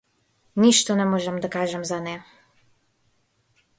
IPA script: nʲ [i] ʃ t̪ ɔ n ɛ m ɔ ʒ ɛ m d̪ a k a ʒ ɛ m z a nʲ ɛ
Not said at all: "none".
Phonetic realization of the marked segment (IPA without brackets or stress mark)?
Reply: i